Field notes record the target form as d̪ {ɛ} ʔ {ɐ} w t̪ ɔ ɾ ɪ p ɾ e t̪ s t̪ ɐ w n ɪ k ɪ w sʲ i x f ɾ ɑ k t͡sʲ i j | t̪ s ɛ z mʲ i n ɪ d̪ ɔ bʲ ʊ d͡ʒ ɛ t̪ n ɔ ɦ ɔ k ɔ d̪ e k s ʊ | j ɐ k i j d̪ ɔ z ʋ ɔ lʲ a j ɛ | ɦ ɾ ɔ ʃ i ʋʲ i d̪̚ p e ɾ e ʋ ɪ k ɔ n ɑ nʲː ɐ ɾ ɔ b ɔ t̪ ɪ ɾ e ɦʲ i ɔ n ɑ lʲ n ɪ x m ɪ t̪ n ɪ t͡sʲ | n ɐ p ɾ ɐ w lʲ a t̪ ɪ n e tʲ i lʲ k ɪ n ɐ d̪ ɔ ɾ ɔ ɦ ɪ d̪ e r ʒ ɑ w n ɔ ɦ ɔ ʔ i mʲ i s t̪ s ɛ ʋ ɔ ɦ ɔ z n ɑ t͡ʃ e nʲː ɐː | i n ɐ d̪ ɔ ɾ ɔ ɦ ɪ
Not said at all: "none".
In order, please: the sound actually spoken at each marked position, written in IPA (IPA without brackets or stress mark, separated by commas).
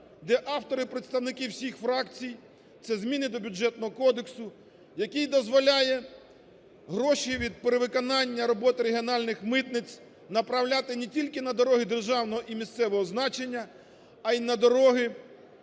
ɛ, ɑ